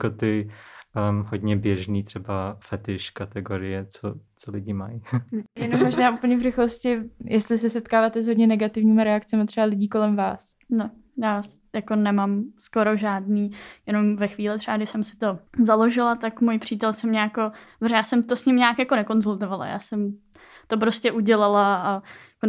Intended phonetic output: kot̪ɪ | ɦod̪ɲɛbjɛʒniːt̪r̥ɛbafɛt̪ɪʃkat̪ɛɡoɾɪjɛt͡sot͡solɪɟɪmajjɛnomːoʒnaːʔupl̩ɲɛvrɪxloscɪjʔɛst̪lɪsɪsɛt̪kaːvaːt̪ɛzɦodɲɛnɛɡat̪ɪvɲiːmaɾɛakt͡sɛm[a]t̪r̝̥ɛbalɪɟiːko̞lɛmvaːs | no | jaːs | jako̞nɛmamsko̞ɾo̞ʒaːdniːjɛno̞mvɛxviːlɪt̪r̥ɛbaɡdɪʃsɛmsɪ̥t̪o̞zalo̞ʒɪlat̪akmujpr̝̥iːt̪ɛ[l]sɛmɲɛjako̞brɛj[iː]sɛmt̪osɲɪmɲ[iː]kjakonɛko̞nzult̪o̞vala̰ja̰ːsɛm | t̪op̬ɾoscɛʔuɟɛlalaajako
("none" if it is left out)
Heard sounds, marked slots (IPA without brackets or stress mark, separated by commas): a, l, aː, aː